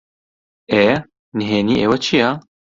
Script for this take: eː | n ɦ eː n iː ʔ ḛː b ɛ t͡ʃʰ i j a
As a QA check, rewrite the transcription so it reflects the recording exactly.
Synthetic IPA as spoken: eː | n ɦ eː n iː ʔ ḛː w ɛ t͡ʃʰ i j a